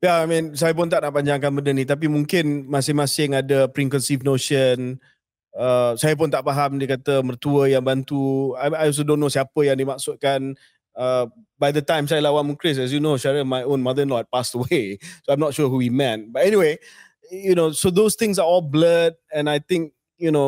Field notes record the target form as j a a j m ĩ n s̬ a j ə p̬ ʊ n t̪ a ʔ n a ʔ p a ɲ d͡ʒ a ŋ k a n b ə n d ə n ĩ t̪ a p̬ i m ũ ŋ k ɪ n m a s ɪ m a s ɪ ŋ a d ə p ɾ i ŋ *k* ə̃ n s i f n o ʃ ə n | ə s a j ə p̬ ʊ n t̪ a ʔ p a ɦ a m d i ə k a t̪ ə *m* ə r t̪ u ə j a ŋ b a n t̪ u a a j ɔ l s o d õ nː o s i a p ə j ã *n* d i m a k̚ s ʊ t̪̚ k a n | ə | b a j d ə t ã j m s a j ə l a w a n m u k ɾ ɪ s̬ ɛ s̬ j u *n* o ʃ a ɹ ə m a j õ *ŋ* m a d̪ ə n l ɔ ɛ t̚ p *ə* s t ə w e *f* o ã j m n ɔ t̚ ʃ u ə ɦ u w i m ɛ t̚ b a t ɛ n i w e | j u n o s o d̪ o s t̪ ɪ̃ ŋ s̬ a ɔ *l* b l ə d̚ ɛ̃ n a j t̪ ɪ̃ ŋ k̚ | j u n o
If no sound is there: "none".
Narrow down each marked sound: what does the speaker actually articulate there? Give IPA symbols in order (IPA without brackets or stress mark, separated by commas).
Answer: k, m, ŋ, n, n, a, s, l